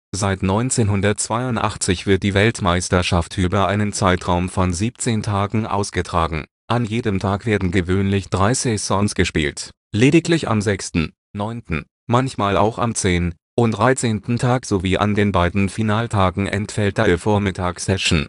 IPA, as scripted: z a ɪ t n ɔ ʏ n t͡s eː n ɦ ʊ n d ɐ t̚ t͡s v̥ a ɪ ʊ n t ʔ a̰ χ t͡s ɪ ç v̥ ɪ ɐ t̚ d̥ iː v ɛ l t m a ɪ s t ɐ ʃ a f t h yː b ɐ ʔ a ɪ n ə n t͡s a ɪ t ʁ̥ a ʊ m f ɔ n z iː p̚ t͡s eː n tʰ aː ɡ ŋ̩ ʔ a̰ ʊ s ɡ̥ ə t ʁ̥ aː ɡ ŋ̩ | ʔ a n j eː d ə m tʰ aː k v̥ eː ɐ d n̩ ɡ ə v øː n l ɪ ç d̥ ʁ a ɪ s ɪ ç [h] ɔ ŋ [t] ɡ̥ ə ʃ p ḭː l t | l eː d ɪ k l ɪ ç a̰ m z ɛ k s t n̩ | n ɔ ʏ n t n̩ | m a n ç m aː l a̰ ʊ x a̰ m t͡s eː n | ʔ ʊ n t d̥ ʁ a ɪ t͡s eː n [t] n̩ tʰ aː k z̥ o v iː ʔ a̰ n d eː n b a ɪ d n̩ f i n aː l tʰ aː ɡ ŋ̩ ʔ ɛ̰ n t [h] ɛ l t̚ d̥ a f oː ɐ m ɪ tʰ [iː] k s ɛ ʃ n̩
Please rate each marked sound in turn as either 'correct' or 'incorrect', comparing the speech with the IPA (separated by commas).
incorrect, incorrect, correct, incorrect, incorrect